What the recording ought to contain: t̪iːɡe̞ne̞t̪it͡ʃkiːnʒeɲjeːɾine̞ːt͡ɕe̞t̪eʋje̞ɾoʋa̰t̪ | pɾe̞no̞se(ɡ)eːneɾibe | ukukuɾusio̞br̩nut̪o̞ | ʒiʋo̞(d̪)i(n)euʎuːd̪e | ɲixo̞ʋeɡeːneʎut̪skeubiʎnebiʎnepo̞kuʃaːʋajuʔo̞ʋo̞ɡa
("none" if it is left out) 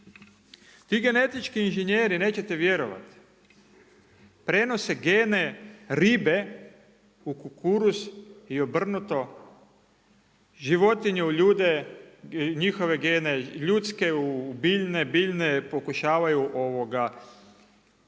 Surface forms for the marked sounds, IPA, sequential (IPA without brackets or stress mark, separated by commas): ɡ, t̪, ɲ